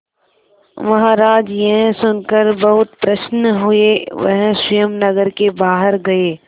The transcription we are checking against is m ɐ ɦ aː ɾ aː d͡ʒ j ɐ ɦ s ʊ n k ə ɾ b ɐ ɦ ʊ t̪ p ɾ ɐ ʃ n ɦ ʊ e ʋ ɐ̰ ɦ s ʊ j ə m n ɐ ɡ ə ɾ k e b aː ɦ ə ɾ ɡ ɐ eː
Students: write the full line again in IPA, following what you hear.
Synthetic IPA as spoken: m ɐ ɦ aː ɾ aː d͡ʒ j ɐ ɦ s ʊ n k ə ɾ b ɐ ɦ ʊ t̪ p ɾ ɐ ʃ n ɦ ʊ e ʋ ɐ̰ ɦ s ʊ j ə m n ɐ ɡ ə ɾ k e b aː ɦ ə ɾ ɡ ɐ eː